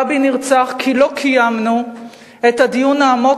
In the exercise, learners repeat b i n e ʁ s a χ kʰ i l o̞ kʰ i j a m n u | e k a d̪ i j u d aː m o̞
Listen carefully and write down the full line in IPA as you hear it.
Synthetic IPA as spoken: b i n i ʁ t͡s a χ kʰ i l o̞ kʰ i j a m n u | e t a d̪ i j u n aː m o̞